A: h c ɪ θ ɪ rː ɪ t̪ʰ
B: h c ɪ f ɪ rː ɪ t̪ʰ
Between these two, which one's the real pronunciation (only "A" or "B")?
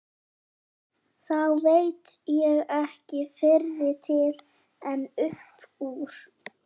B